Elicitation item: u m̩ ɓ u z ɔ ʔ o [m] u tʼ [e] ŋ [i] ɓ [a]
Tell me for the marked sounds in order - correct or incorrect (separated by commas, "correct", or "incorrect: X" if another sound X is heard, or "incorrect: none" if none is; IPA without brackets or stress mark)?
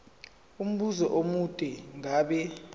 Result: correct, incorrect: ɛ, incorrect: a, incorrect: ɛ